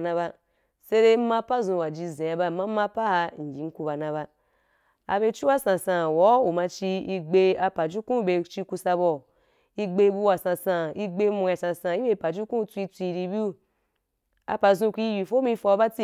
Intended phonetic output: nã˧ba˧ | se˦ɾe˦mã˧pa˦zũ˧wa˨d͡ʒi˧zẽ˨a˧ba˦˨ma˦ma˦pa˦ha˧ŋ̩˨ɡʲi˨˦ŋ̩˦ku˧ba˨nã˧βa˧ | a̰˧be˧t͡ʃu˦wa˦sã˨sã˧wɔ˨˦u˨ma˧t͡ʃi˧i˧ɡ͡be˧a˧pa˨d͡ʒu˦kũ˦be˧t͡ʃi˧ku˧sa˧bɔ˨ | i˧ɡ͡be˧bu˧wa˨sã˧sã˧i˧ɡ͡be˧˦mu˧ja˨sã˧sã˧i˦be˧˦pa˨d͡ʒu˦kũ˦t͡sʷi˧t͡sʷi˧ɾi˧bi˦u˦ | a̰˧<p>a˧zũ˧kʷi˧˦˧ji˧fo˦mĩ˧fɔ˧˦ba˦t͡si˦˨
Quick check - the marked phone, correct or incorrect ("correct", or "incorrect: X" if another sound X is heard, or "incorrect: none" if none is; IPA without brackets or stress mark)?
correct